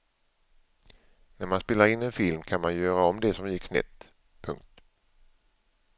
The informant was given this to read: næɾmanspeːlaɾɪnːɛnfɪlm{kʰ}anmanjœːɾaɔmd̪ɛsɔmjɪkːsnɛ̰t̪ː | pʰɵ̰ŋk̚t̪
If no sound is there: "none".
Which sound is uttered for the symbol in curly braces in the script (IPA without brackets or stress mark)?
kʰ